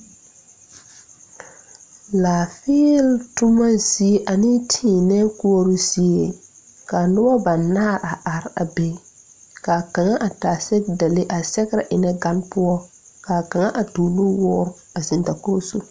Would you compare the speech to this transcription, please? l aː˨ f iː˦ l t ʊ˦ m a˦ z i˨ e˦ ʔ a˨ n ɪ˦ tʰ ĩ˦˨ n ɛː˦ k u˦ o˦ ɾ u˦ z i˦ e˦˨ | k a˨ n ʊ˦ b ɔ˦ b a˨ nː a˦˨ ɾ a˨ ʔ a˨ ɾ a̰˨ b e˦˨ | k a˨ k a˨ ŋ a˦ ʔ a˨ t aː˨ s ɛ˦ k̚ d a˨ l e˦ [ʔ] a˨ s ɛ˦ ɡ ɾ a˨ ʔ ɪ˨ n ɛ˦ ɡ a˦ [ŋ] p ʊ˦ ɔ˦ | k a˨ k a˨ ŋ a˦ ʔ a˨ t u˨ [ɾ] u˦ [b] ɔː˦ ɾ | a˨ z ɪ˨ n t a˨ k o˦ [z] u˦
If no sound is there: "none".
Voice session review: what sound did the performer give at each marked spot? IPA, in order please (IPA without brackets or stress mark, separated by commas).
ʔ, n, l, w, s